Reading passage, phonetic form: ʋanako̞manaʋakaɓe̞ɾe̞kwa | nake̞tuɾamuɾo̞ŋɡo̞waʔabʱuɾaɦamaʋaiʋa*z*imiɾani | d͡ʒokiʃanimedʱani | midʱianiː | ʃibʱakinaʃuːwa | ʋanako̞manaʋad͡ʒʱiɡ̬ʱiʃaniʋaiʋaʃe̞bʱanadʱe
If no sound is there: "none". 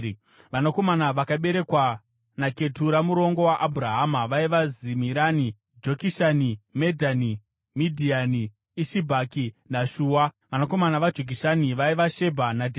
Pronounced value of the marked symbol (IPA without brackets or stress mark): z